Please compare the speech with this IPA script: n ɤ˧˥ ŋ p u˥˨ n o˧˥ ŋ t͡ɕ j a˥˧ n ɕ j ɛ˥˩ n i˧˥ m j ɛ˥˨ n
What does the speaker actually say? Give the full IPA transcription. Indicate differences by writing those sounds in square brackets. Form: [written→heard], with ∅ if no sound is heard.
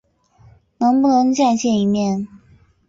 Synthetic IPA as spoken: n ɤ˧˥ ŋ p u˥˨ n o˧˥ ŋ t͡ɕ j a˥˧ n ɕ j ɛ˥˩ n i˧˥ m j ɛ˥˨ n